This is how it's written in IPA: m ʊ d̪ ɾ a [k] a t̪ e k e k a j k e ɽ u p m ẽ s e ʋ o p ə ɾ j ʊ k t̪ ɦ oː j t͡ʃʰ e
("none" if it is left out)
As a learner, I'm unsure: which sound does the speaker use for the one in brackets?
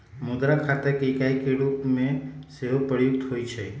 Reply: kʰ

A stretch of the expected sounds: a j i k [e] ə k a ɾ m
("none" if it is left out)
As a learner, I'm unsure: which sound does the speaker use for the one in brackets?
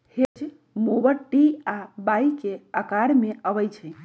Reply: e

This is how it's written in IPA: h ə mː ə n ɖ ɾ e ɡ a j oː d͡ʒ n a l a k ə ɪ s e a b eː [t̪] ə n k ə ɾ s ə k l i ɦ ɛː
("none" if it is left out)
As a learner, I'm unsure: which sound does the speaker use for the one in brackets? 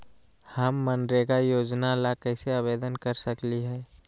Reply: d̪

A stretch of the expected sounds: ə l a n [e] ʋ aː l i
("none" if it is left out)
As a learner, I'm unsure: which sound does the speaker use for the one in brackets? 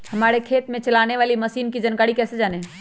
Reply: e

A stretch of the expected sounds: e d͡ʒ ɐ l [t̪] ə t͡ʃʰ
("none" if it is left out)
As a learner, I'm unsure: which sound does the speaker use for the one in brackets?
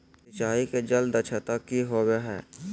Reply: d̪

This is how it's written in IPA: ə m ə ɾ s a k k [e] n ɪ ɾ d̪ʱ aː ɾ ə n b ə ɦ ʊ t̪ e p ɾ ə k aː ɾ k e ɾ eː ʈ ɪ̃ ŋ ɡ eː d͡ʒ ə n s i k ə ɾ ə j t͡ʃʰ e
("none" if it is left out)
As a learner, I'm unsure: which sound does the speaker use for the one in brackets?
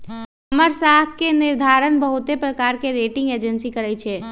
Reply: e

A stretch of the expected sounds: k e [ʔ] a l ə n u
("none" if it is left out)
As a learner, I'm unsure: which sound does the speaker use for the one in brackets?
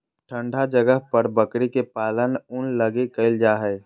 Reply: p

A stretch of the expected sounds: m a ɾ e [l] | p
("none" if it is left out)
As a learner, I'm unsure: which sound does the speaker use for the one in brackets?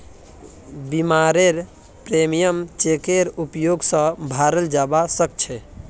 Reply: ɾ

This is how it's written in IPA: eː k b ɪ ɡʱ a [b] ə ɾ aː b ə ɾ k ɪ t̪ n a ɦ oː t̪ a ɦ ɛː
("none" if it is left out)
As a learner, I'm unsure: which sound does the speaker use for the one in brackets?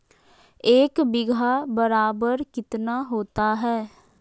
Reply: b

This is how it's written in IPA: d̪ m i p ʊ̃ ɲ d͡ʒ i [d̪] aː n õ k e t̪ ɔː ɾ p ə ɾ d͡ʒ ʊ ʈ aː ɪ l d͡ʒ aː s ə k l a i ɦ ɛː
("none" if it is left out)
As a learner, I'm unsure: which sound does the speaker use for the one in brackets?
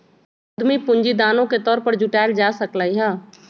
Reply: d̪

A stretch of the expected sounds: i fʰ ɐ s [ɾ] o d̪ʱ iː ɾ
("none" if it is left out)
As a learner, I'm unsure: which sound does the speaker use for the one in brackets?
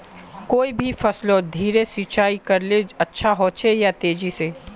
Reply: l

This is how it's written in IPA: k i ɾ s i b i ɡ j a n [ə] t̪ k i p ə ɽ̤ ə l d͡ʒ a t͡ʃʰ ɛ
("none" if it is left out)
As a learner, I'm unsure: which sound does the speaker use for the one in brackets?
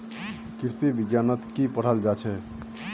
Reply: ə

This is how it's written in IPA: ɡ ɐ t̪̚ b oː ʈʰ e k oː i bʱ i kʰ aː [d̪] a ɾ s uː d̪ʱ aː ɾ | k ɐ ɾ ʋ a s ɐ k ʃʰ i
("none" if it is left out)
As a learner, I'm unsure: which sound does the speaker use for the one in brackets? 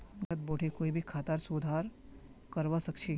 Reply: t̪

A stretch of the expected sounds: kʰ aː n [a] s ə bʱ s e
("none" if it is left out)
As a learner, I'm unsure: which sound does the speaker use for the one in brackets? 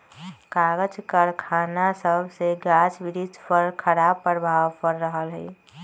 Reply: a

